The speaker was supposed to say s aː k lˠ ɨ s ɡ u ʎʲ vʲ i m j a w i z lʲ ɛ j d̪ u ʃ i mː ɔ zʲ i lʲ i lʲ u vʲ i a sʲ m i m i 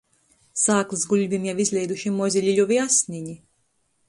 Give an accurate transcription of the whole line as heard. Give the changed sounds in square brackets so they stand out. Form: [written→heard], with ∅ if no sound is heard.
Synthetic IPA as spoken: s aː k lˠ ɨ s ɡ u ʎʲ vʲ i m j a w i z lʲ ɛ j d̪ u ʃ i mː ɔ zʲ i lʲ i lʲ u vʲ i a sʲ [m→n] i [m→ɲ] i